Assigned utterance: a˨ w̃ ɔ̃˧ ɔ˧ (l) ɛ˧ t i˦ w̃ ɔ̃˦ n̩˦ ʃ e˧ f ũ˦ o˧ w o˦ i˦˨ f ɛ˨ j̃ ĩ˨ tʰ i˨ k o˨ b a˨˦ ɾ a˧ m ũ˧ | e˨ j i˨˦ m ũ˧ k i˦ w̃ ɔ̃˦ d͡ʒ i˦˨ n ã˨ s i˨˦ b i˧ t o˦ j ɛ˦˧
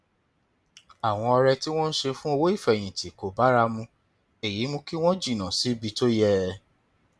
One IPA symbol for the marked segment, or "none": ɾ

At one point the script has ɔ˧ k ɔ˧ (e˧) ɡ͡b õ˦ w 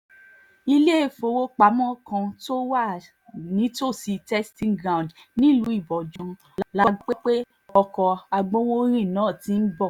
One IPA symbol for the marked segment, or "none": a˧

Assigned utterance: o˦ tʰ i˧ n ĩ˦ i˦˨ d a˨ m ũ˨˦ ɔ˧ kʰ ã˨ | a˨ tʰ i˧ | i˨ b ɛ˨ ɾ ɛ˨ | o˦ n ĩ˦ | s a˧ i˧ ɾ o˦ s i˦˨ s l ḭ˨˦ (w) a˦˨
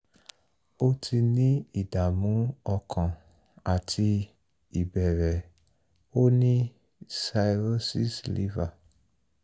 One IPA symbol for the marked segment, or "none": v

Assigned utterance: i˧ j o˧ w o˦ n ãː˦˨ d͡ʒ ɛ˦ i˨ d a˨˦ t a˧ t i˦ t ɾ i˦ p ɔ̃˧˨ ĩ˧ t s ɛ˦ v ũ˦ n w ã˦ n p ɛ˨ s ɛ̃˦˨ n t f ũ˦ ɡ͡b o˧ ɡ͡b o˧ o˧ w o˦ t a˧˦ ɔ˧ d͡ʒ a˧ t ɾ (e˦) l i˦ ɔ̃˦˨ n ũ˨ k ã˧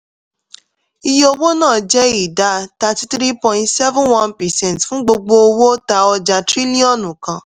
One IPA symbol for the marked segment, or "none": i˦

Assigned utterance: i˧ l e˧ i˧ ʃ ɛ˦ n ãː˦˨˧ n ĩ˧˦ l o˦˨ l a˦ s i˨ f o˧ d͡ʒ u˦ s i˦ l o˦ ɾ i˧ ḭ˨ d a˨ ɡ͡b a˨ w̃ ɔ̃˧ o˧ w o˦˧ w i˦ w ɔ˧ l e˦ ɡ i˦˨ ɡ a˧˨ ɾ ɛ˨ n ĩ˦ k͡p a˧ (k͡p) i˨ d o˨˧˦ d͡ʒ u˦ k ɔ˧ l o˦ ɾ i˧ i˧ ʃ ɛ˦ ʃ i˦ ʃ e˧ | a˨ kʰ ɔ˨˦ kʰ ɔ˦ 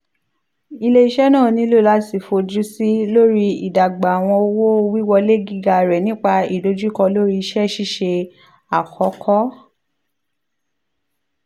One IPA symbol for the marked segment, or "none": none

